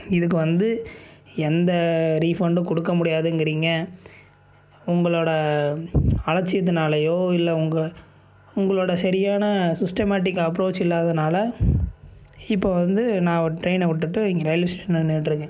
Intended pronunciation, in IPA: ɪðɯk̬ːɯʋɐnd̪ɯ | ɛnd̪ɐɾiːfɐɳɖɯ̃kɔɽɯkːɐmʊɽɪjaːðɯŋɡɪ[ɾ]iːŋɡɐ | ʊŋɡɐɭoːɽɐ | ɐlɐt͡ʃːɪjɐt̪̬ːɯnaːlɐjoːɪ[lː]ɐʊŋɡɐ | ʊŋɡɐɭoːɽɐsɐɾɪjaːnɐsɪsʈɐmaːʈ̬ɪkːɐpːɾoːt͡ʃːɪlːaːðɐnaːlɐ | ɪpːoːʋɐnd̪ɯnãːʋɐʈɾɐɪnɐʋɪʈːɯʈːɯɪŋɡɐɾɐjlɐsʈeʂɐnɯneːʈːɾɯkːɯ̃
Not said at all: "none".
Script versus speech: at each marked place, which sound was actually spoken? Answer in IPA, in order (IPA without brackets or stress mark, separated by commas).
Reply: ɾ, lː